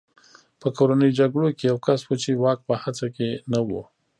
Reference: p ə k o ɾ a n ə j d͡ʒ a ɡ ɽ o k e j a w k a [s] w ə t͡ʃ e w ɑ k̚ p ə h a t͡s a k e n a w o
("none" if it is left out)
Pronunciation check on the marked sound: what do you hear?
s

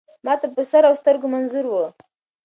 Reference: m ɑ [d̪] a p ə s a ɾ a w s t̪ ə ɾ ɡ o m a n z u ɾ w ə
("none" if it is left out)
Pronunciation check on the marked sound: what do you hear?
t̪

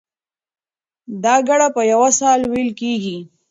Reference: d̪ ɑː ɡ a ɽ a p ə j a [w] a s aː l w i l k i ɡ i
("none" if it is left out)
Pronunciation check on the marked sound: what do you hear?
w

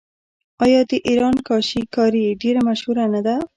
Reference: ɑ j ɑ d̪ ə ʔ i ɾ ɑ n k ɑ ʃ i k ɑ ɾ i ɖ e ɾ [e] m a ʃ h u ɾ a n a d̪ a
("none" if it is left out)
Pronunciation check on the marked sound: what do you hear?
a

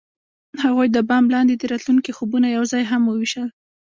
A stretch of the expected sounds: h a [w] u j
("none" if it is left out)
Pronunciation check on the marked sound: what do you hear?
ɣ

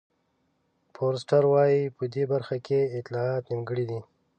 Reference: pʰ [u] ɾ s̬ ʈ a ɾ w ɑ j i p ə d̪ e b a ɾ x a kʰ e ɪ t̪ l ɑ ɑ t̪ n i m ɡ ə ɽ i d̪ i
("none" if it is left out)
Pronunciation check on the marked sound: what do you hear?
o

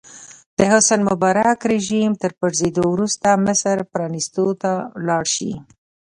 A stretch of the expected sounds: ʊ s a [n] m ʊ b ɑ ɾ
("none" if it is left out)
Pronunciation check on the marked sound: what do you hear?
n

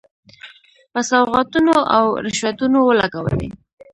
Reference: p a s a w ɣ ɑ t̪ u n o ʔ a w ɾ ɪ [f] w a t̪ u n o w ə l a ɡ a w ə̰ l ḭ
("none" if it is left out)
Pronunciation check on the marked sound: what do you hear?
ʃ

